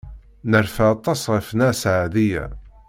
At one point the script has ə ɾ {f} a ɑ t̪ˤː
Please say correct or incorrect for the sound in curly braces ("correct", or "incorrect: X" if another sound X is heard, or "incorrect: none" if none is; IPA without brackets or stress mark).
correct